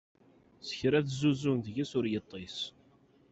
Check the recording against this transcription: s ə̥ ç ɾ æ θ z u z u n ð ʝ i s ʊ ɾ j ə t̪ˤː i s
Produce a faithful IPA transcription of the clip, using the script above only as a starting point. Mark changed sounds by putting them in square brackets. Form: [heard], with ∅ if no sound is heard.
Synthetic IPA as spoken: s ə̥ ç ɾ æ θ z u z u n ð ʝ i s ʊ ɾ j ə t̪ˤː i s